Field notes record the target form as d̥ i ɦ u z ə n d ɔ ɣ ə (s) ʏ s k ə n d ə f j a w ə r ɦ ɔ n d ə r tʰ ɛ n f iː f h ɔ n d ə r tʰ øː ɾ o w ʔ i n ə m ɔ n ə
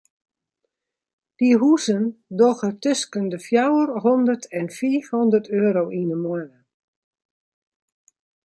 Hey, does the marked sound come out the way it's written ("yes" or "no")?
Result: no